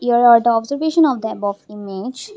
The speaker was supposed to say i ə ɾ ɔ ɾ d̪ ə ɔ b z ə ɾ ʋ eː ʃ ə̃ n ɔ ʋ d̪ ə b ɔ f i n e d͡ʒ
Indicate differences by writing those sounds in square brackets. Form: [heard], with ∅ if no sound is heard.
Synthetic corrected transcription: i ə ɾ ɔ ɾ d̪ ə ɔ b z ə ɾ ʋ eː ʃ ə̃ n ɔ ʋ d̪ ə b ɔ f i [m] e d͡ʒ